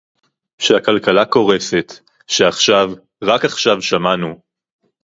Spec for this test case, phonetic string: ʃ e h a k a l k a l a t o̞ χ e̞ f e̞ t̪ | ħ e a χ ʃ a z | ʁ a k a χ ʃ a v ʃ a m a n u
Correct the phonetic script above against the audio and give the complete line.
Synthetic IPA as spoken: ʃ e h a k a l k a l a k o̞ ʁ e̞ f e̞ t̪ | ʃ e a χ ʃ a v | ʁ a k a χ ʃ a v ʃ a m a n u